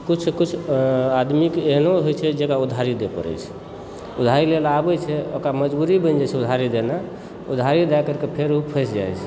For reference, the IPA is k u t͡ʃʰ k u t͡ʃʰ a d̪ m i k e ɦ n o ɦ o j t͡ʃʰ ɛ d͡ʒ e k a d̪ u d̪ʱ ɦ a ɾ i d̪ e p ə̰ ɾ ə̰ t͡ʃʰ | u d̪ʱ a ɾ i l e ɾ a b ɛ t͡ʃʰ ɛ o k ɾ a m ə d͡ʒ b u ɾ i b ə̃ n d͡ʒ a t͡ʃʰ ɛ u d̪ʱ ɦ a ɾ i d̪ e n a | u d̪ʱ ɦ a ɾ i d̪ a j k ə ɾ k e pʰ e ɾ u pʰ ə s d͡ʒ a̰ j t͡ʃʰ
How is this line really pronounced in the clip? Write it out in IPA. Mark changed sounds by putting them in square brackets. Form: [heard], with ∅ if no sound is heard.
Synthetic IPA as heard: k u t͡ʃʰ k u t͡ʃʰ a d̪ m i k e ɦ n o ɦ o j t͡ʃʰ ɛ d͡ʒ e k a [∅] u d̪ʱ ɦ a ɾ i d̪ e p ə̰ ɾ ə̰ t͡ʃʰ | u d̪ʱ a ɾ i l e [l] a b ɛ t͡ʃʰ ɛ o k ɾ a m ə d͡ʒ b u ɾ i b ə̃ n d͡ʒ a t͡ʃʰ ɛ u d̪ʱ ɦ a ɾ i d̪ e n a | u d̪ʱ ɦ a ɾ i d̪ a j k ə ɾ k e pʰ e ɾ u pʰ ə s d͡ʒ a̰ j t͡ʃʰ